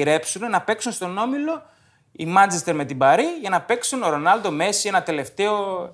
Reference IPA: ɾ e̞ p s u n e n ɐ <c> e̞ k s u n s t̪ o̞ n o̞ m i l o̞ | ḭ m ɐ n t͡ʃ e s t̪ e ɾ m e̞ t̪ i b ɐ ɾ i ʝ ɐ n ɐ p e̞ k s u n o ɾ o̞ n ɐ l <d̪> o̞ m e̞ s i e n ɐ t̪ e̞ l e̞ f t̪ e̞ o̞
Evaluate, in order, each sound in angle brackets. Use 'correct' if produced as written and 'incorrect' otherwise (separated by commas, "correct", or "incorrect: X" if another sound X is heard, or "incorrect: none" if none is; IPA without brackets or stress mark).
incorrect: p, correct